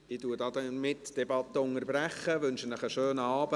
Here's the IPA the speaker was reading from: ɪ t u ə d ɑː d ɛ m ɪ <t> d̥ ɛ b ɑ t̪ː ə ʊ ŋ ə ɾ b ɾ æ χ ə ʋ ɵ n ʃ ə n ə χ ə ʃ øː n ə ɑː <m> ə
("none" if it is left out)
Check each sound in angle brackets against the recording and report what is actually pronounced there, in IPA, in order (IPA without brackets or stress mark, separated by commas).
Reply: t, b